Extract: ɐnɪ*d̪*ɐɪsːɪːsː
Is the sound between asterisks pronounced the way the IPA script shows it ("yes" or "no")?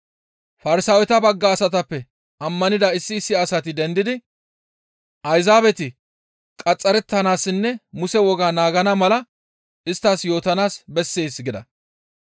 yes